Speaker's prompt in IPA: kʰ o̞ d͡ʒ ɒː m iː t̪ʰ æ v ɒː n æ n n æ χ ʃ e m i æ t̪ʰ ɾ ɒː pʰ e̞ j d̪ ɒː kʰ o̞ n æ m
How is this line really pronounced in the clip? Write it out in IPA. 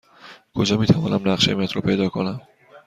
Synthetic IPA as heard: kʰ o̞ d͡ʒ ɒː m iː t̪ʰ æ v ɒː n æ m n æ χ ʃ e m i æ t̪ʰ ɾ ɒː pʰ e̞ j d̪ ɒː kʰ o̞ n æ m